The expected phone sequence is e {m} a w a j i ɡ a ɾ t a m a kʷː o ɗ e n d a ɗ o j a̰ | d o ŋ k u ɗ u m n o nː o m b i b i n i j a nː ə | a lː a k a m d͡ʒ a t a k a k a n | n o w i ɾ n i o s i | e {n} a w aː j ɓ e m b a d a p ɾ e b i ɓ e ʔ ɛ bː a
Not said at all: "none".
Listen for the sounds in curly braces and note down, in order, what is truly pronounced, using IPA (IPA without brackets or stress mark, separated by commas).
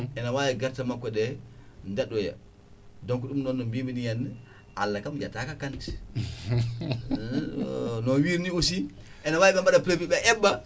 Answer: n, n